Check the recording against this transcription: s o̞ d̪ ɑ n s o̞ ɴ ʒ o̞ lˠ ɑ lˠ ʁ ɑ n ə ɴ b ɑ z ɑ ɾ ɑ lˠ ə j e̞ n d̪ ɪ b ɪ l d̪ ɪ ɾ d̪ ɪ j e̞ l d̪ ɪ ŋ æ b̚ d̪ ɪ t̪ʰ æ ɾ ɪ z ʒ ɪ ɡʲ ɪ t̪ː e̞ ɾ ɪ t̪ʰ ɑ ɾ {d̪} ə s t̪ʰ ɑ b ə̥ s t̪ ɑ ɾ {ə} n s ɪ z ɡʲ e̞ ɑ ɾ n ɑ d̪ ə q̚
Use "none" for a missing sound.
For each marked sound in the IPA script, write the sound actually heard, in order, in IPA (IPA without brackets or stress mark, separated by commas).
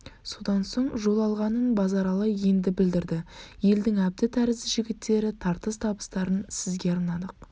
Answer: t̪, ə